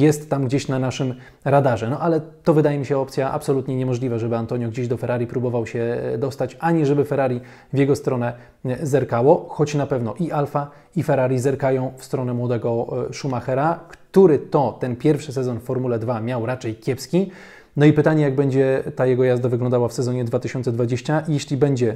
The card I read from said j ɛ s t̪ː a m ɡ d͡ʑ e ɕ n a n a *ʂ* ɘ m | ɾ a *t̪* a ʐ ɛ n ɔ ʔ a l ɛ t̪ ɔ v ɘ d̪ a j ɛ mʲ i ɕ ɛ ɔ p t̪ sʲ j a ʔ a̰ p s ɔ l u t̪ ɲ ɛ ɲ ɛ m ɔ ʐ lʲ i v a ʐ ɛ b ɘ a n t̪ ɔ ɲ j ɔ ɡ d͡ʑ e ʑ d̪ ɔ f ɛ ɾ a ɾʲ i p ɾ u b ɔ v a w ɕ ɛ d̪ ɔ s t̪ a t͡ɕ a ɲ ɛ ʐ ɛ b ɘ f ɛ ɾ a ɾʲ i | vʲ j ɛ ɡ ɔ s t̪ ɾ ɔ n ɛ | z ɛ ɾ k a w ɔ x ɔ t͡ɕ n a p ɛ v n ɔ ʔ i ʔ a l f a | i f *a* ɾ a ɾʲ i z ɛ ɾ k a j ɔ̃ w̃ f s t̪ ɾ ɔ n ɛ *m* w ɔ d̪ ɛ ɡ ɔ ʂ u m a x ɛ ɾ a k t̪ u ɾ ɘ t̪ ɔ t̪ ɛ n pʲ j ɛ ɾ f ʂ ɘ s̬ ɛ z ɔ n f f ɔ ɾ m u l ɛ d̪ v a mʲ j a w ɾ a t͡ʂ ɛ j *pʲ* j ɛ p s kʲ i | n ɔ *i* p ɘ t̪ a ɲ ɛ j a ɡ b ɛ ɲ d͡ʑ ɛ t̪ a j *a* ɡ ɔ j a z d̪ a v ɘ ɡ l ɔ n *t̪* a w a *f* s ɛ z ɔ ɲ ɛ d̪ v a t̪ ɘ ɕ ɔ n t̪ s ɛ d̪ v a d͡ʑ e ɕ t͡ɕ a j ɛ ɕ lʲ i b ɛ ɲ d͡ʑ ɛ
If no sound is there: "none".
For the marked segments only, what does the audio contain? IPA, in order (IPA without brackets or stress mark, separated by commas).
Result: ʂ, d̪, ɛ, m, kʲ, i, ɛ, d̪, f